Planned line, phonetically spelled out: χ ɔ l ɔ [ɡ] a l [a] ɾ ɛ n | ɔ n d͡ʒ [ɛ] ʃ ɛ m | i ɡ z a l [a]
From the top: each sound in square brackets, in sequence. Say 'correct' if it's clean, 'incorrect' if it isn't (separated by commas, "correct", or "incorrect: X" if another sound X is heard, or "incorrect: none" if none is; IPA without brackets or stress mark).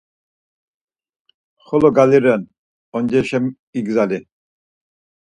correct, incorrect: i, correct, incorrect: i